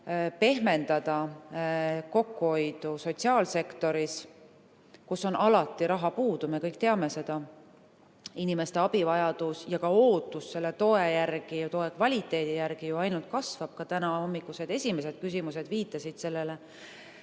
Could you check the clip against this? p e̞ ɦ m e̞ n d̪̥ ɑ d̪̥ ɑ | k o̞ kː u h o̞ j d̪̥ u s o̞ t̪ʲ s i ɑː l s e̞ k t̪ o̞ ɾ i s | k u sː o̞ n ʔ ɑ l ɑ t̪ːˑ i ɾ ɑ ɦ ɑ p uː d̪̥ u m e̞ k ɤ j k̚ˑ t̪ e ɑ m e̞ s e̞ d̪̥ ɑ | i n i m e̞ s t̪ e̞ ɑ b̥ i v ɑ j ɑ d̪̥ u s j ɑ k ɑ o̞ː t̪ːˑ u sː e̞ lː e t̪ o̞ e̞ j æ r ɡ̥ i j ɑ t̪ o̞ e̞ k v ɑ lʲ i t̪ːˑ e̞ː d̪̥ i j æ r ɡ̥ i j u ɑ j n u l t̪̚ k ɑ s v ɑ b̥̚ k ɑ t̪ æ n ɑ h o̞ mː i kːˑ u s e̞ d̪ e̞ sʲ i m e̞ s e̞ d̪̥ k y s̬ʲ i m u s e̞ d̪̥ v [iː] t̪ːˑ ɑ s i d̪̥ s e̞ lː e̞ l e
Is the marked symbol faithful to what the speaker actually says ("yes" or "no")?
yes